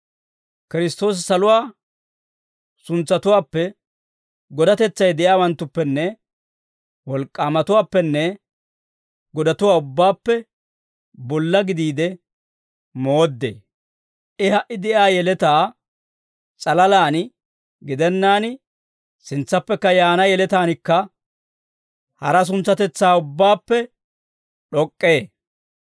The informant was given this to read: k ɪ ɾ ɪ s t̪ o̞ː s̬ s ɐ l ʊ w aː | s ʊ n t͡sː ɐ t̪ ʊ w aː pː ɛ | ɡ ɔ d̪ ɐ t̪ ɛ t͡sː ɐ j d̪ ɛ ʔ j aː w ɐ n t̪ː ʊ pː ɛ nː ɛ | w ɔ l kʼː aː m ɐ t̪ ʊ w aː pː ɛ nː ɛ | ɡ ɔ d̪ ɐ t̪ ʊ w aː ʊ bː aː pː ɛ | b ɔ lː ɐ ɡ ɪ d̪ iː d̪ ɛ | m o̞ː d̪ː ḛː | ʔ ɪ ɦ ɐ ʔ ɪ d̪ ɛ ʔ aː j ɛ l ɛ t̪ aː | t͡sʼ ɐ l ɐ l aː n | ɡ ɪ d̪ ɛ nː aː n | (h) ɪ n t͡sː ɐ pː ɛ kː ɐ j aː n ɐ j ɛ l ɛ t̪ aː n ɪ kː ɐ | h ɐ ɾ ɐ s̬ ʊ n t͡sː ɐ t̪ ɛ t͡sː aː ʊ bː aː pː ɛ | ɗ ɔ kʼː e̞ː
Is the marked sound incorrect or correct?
incorrect